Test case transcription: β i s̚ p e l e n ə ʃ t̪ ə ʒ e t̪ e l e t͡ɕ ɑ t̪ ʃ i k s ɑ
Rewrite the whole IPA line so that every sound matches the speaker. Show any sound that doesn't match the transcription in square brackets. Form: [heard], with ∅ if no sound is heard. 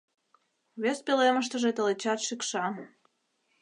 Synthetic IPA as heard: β [e] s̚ p e l e [m] ə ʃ t̪ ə ʒ e t̪ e l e t͡ɕ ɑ t̪ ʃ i k [ʃ] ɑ